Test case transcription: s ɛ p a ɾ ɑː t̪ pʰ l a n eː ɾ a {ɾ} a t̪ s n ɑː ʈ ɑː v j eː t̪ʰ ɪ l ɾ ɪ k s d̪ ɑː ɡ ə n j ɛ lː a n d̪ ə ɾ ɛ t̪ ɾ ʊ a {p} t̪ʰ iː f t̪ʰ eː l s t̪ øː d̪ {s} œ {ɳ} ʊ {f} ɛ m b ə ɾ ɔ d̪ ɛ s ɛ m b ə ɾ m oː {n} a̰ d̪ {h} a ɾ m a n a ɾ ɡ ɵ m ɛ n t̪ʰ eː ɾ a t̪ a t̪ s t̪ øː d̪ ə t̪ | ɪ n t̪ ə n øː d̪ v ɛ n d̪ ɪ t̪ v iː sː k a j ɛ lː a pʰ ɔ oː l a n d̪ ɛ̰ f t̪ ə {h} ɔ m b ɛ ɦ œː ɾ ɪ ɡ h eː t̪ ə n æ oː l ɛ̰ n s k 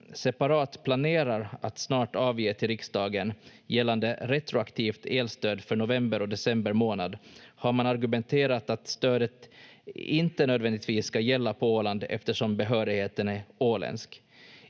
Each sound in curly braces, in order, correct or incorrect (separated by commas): correct, incorrect, incorrect, correct, incorrect, correct, correct, incorrect